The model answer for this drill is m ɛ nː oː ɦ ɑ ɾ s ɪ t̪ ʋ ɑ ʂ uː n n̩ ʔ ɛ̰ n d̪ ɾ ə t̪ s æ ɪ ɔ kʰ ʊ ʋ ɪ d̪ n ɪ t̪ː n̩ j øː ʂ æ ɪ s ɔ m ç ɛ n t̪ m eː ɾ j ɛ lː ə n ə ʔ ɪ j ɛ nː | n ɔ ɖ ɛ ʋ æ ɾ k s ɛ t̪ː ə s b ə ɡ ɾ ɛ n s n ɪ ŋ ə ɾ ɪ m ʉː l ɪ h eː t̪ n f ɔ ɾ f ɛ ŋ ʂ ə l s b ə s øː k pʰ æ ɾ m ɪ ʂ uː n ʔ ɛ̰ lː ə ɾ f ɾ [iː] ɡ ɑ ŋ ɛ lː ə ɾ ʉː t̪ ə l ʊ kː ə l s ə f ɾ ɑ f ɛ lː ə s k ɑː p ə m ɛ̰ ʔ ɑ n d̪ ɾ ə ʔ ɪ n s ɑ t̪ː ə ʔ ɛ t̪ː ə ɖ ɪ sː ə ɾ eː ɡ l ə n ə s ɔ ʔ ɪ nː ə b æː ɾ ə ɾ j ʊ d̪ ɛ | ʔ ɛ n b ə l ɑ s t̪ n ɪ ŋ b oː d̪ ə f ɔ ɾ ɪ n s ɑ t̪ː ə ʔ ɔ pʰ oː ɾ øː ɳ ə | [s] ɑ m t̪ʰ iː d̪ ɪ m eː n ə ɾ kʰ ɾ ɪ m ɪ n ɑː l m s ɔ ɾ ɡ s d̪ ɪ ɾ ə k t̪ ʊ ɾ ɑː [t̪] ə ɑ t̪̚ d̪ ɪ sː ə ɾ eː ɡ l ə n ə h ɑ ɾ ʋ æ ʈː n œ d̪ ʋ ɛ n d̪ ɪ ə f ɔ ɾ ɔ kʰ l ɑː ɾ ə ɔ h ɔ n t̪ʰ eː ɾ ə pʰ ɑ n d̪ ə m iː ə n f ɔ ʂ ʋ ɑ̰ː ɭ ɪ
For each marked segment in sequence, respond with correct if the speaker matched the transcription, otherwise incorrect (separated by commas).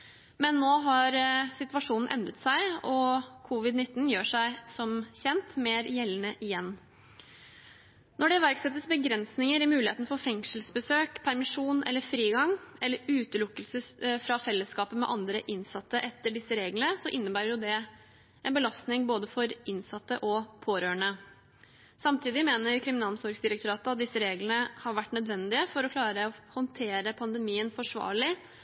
correct, correct, correct